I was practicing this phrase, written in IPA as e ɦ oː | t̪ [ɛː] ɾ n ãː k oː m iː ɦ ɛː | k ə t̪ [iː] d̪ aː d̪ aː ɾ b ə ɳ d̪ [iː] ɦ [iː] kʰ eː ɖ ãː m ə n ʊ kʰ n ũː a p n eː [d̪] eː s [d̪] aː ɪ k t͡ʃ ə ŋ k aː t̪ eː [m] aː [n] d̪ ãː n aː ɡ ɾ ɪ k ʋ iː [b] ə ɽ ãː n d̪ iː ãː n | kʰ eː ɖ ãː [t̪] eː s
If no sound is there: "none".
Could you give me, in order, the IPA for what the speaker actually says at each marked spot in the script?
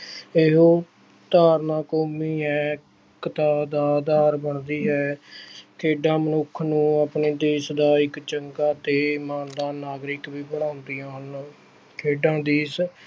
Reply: aː, aː, iː, ɛː, d̪, d̪, m, n, b, d̪

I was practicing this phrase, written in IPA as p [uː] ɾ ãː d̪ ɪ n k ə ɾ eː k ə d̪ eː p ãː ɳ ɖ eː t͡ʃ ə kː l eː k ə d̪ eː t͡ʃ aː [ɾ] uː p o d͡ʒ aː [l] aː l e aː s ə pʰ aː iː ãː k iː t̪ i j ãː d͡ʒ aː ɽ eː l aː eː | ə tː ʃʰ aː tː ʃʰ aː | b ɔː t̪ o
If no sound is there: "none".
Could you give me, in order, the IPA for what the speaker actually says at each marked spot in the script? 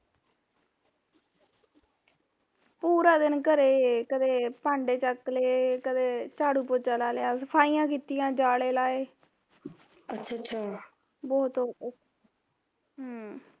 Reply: uː, ɽ, l

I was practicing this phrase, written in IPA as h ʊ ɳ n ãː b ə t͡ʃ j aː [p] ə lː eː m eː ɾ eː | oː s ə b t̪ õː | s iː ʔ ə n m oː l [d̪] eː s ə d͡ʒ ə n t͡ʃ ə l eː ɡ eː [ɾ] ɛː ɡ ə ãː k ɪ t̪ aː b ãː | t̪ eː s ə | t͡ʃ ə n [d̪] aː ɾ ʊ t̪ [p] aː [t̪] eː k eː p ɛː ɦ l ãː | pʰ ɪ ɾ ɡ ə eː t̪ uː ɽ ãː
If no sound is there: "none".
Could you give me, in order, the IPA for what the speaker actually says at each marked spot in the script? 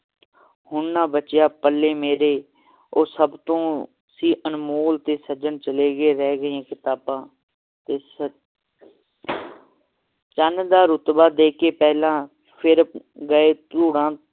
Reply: p, t̪, ɾ, d̪, b, d̪

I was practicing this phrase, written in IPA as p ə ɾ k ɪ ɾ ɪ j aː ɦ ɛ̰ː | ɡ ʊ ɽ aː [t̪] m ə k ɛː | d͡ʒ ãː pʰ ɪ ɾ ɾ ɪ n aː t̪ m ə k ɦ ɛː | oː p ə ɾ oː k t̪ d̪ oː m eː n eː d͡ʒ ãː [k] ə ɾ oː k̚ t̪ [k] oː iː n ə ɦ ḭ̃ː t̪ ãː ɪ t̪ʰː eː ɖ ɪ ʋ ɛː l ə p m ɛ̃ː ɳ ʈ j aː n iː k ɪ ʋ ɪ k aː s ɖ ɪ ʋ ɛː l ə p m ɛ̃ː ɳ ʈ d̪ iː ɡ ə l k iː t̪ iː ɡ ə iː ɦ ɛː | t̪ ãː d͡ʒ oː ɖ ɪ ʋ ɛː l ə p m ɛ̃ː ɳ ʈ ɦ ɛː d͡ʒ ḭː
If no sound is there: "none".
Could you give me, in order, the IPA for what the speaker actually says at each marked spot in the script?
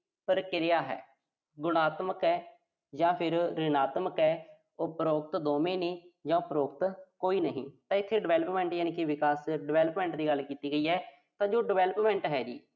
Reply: t̪, p, k

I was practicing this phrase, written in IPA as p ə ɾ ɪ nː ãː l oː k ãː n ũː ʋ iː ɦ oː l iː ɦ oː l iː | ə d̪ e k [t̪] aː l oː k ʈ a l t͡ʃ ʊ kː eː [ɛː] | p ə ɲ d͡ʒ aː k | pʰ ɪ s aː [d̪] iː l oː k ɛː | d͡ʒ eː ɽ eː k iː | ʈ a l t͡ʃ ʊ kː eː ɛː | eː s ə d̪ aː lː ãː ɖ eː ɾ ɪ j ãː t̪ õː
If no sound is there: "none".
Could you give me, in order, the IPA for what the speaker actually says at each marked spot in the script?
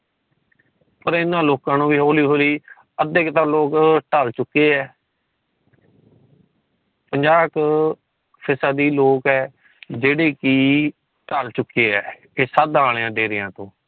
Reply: t̪, ɛː, d̪

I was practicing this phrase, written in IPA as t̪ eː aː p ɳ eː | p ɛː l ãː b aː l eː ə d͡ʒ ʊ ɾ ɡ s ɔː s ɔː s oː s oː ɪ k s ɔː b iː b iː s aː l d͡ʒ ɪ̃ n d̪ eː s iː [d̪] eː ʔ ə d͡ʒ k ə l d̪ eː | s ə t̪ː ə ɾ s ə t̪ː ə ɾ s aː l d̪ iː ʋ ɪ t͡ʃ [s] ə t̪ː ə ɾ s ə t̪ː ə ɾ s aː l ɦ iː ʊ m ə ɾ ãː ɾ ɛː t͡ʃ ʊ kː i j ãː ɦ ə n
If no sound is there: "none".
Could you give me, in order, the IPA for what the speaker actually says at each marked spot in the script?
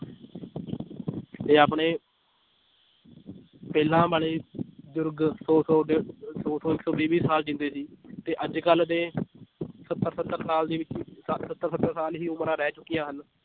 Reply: t̪, s

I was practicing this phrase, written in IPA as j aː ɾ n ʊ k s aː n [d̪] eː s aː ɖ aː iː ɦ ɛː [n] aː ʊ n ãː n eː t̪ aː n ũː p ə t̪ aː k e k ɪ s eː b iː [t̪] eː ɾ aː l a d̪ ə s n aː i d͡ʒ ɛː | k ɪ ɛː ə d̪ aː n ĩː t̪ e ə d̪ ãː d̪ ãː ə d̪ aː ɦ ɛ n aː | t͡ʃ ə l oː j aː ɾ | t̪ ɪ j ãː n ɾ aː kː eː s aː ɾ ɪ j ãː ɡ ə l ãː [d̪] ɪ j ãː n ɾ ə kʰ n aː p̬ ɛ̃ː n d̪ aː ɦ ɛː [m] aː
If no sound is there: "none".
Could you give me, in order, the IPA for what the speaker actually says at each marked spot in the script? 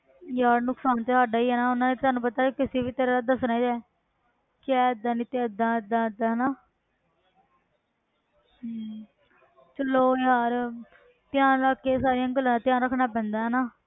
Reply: t̪, n, t̪, t̪, n

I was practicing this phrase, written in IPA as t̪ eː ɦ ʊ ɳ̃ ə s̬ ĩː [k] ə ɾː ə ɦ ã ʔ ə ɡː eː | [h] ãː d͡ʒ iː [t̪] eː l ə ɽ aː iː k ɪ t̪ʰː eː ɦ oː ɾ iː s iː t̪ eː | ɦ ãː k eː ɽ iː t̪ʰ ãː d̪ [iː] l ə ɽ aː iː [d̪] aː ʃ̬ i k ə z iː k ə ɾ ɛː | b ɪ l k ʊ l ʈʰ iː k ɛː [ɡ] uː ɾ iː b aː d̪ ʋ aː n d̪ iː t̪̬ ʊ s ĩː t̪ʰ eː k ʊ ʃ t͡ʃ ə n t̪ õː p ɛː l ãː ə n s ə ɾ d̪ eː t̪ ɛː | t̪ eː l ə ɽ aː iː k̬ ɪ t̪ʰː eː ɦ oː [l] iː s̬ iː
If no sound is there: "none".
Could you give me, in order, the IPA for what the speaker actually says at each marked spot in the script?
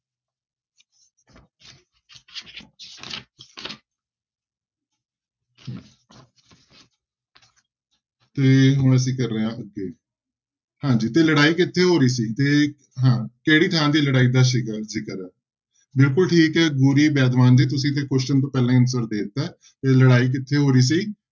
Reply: k, h, t̪, iː, d̪, ɡ, ɾ

